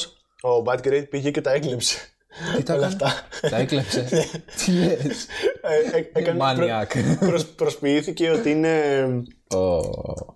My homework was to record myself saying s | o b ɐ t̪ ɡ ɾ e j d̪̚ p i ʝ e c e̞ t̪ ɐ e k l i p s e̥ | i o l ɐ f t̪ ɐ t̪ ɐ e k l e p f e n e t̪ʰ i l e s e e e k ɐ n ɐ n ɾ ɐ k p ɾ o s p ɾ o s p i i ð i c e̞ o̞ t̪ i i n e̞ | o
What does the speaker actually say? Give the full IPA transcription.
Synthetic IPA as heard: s | o b ɐ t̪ ɡ ɾ e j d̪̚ p i ʝ e c e̞ t̪ ɐ e k l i p s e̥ | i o l ɐ f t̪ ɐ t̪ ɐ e k l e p s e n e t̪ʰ i l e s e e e k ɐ n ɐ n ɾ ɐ k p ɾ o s p ɾ o s p i i θ i c e̞ o̞ t̪ i i n e̞ | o